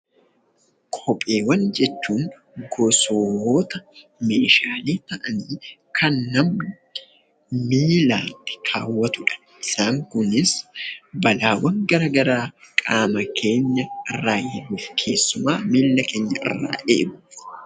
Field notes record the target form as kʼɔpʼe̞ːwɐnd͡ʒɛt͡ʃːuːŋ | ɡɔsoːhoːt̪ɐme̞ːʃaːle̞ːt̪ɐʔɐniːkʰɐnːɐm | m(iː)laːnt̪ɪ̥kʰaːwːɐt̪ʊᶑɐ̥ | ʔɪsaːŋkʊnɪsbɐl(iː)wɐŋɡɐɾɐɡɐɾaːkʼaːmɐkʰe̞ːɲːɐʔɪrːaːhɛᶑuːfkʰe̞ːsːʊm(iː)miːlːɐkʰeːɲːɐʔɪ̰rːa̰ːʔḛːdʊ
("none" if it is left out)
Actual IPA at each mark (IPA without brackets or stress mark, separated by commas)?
iː, aː, aː